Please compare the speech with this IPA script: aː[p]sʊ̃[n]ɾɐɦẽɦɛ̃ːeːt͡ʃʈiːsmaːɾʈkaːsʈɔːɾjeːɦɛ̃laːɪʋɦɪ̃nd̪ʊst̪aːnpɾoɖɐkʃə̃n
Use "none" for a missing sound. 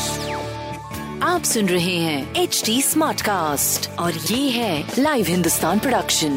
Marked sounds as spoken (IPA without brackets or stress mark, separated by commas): p, n